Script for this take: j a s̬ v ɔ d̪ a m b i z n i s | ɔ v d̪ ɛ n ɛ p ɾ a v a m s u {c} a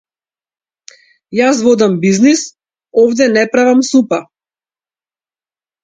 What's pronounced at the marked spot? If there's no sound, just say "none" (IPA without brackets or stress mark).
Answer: p